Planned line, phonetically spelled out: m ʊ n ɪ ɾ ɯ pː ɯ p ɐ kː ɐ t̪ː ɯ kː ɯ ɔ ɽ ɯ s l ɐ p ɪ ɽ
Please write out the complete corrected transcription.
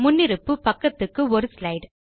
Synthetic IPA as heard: m ʊ nː ɪ ɾ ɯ pː ɯ p ɐ kː ɐ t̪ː ɯ kː ɯ ɔ ɾ ɯ s l ɐ ɪ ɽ